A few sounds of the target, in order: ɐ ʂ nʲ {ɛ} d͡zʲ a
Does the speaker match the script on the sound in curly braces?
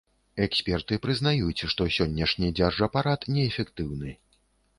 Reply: no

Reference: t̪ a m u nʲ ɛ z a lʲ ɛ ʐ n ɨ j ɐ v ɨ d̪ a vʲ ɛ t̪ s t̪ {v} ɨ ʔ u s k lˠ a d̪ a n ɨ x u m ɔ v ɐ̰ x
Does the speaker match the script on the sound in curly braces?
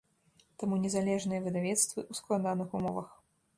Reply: yes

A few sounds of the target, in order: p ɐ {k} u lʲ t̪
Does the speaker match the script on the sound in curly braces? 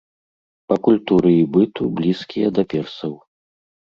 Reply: yes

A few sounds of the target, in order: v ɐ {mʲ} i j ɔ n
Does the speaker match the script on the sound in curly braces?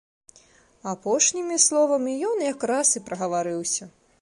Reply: yes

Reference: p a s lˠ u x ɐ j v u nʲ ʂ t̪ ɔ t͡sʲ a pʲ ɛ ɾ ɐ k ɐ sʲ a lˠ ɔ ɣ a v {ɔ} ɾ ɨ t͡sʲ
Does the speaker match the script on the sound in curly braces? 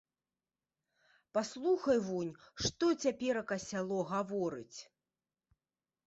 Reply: yes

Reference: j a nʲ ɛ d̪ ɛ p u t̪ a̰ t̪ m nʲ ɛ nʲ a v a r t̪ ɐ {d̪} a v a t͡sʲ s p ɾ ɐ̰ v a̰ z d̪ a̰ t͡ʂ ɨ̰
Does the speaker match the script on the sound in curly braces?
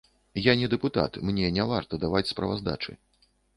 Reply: yes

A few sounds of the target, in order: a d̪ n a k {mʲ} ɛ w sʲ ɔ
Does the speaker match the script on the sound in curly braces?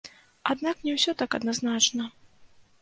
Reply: no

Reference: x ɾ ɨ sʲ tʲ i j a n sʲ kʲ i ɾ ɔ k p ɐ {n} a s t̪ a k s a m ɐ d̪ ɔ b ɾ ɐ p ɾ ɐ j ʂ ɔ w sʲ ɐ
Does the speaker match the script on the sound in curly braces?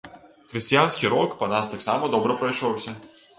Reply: yes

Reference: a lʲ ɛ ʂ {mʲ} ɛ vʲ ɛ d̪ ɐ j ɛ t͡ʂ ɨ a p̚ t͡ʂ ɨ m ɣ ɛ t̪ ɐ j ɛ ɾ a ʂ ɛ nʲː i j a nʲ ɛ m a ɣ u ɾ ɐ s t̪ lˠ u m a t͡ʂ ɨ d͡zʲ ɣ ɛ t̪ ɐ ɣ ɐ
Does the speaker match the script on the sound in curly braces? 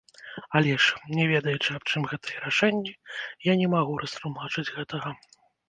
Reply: no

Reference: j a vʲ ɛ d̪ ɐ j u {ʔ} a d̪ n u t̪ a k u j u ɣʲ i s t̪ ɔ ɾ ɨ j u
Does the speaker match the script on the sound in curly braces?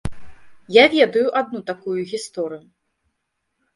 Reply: yes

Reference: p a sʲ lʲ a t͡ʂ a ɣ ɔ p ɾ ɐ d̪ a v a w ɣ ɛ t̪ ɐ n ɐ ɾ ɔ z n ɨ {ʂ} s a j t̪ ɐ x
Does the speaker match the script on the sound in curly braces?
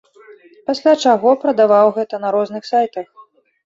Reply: no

